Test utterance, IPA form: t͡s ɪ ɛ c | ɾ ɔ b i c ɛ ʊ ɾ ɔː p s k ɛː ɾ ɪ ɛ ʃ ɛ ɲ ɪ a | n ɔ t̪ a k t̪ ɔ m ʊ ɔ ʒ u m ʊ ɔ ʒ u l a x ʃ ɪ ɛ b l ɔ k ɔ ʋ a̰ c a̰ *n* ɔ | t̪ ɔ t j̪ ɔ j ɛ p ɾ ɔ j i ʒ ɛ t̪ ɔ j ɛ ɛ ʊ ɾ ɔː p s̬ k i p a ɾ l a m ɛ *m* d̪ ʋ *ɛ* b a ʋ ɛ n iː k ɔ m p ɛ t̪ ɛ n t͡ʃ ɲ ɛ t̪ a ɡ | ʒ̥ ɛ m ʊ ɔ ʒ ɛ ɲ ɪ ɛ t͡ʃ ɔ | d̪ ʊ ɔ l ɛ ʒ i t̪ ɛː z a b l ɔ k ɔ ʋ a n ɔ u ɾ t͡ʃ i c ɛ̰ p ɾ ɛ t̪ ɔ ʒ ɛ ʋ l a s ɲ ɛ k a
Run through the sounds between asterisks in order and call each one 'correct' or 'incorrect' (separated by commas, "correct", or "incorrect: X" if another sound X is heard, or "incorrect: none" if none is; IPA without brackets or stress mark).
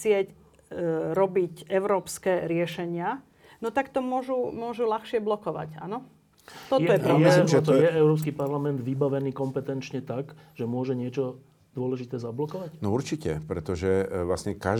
correct, incorrect: n, incorrect: i